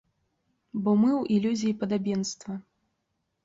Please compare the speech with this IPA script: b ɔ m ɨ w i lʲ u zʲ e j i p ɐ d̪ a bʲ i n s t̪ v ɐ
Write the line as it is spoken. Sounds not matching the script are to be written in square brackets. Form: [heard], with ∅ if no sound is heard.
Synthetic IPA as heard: b ɔ m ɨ w i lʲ u zʲ [i] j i p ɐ d̪ a bʲ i n s t̪ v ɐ